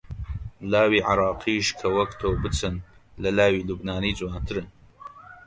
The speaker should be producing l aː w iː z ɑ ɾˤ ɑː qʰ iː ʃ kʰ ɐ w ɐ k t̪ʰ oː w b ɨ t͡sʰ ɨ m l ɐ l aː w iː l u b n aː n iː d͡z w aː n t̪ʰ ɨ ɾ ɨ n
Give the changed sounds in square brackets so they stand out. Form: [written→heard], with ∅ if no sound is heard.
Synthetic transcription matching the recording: l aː w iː [z→ʕ] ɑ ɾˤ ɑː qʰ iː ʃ kʰ ɐ w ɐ k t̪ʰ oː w b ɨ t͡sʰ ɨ [m→n] l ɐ l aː w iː l u b n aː n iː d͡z w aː n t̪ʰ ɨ ɾ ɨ n